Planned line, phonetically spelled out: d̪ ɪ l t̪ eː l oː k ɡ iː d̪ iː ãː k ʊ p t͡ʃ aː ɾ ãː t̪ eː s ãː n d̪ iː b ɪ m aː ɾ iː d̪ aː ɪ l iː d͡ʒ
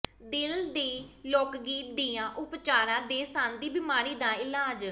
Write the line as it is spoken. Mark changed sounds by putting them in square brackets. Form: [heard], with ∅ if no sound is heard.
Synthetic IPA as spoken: d̪ ɪ l [d̪] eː l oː k ɡ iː d̪ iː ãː [ʔ] ʊ p t͡ʃ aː ɾ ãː [d̪] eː s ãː n d̪ iː b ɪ m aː ɾ iː d̪ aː ɪ l [aː] d͡ʒ